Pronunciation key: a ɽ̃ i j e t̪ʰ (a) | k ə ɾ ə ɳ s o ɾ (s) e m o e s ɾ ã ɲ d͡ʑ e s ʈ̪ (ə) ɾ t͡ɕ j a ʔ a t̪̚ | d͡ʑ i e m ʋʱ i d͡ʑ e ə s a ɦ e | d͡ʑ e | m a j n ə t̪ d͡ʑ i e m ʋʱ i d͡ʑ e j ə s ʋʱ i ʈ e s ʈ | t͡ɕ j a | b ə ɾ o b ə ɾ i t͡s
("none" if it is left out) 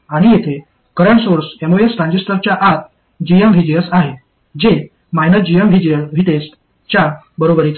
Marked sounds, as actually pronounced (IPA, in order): e, s, ə

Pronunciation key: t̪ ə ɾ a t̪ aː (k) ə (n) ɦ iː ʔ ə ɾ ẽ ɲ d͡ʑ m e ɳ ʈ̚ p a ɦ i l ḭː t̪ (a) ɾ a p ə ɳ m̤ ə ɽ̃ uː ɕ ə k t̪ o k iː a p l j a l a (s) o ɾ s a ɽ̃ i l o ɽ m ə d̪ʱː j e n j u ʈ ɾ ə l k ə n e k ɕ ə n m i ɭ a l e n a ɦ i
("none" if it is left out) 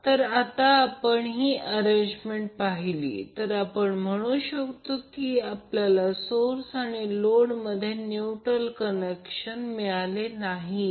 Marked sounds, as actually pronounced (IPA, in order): p, ɳ, ə, s

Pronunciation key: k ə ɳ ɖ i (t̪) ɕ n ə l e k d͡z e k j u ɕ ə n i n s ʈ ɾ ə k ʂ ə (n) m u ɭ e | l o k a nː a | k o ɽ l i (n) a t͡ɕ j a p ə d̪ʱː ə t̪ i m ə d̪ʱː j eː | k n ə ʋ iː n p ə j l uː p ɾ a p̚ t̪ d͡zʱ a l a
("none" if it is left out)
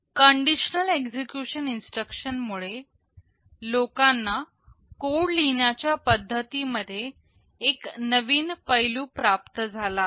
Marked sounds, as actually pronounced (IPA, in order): none, n, n

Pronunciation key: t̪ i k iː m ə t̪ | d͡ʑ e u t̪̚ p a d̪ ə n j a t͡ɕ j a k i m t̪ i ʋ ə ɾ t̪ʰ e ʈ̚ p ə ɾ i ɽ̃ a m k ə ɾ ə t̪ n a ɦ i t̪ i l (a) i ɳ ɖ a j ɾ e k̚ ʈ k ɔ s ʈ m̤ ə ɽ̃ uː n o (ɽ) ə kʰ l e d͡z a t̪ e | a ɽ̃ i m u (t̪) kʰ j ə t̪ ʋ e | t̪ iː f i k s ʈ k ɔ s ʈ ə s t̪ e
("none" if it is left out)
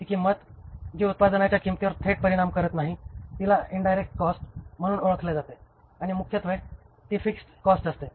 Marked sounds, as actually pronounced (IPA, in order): a, ɭ, none

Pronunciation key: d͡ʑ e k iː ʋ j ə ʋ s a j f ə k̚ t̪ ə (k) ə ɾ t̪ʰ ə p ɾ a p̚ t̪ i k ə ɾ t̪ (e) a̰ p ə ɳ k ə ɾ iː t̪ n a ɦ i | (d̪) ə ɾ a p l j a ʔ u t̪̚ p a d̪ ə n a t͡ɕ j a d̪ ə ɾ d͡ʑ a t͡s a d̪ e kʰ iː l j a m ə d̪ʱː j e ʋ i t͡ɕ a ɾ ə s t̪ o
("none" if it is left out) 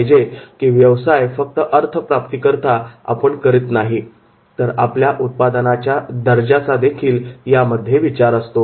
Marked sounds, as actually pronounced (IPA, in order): ʔ, a, t̪

